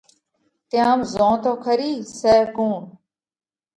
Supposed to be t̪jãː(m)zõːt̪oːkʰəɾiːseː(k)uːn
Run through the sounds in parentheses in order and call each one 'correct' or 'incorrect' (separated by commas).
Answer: correct, correct